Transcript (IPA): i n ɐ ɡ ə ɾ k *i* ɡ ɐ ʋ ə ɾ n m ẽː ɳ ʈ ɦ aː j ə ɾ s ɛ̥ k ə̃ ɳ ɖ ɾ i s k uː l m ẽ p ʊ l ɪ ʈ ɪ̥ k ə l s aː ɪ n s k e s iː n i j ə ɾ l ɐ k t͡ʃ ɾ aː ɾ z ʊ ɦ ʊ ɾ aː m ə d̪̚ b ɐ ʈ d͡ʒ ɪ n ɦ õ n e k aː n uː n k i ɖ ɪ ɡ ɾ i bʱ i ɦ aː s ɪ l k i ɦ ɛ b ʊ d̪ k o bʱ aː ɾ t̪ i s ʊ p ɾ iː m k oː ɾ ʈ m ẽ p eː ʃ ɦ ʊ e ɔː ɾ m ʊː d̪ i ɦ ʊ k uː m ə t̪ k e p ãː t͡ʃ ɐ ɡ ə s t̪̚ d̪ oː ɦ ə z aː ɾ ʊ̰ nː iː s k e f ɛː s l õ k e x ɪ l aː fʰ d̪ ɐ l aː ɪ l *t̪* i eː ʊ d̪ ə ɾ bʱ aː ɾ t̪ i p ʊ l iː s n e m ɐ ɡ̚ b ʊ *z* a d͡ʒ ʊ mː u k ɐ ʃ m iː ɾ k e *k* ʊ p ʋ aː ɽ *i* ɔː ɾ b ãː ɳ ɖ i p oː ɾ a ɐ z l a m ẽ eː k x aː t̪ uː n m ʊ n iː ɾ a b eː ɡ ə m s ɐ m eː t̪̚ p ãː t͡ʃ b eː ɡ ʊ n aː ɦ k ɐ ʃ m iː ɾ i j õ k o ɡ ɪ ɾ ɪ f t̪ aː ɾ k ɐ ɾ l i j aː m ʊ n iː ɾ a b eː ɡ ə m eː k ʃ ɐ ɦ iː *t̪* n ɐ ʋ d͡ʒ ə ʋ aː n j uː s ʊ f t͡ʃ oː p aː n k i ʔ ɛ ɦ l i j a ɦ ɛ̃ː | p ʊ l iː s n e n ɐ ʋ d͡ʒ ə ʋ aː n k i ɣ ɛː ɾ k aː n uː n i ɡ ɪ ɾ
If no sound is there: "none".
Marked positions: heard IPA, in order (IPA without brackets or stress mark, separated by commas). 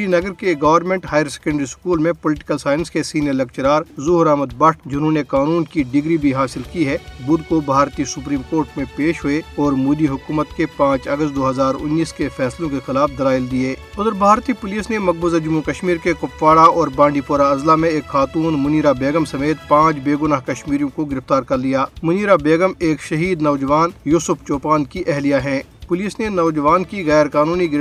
e, d̪, z, k, a, d̪